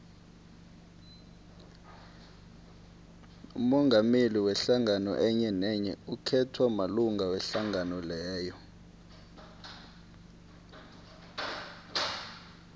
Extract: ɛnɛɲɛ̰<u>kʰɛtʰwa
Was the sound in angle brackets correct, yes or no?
yes